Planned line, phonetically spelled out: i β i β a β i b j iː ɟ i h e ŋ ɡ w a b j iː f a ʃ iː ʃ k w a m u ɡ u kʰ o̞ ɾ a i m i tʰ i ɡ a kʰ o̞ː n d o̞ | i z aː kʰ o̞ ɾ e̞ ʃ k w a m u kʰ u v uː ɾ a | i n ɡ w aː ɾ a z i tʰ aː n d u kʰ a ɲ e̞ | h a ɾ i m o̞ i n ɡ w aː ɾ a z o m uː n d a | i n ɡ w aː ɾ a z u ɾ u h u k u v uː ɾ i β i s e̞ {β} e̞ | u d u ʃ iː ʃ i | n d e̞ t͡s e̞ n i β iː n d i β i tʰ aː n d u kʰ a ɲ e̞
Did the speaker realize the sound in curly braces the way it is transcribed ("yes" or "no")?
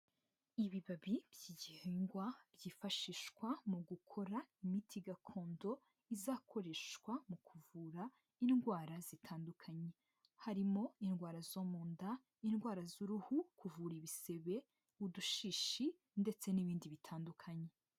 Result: yes